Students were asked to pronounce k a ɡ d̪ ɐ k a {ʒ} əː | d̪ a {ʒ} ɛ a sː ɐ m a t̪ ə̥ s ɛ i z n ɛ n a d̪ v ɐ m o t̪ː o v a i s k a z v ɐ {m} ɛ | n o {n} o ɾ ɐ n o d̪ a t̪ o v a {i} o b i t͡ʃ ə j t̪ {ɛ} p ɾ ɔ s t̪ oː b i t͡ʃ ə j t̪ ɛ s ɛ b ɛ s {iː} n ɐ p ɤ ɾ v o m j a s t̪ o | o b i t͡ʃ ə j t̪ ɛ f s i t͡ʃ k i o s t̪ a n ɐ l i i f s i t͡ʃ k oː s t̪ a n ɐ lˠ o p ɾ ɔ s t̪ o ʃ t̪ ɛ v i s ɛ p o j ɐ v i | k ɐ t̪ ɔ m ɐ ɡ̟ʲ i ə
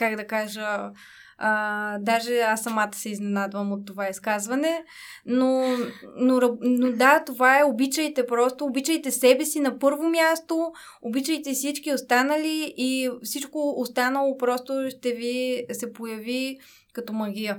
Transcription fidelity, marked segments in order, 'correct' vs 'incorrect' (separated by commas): correct, correct, incorrect, correct, incorrect, correct, incorrect